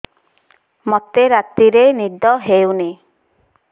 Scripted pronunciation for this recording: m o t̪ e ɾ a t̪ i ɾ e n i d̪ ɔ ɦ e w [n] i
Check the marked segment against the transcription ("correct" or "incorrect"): correct